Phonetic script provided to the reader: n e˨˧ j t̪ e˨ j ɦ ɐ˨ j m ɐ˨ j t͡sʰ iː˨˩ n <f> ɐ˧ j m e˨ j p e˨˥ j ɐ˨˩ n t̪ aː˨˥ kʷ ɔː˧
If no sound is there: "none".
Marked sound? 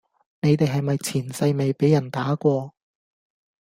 s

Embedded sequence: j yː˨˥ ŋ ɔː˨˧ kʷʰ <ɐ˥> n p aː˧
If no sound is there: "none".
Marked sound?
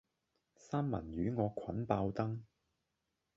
ɐ˨˥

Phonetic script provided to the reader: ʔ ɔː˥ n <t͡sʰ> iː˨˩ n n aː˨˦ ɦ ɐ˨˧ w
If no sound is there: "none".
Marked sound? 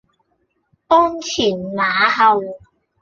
t͡sʰ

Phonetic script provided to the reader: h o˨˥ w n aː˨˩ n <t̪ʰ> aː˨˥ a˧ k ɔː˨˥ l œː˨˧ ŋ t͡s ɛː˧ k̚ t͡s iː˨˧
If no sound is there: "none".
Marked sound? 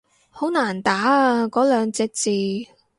t̪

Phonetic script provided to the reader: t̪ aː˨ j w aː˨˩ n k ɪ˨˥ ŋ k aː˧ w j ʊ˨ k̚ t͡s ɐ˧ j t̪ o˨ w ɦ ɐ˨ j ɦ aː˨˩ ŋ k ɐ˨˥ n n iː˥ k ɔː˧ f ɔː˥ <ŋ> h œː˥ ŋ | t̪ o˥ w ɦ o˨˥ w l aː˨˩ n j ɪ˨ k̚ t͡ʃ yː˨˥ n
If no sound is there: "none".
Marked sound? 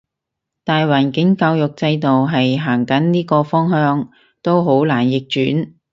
ŋ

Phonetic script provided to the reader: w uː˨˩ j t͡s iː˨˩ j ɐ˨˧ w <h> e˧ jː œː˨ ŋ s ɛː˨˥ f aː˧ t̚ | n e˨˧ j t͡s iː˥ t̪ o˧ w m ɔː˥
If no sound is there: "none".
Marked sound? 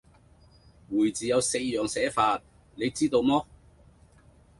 s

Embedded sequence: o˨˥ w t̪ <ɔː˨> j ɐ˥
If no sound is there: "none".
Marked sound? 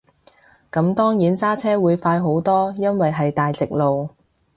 ɔː˥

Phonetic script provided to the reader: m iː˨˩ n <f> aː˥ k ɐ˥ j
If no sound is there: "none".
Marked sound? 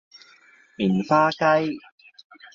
f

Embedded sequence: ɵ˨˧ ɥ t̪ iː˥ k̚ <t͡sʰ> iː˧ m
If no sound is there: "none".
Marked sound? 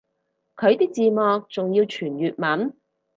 t͡s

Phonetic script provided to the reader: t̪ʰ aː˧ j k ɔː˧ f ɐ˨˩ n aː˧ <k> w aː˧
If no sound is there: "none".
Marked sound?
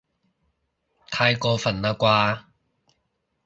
k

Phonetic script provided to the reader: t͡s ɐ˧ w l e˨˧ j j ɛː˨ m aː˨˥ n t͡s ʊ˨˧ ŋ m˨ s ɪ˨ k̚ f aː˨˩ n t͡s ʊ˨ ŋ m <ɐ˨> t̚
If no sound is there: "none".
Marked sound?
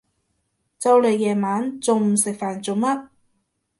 ɐ˥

